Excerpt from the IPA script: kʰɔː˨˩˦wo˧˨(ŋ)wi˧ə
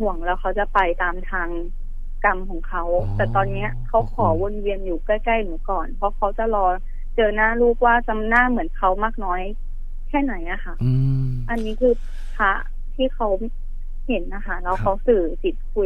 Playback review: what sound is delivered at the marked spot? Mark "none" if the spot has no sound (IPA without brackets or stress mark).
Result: n